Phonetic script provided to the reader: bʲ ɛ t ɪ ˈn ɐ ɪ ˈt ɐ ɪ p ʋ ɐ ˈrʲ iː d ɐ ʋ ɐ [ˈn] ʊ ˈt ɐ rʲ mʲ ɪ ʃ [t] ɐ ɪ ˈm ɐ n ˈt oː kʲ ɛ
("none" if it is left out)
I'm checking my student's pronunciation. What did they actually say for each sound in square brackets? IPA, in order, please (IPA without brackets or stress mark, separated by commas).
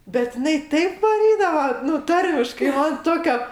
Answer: n, k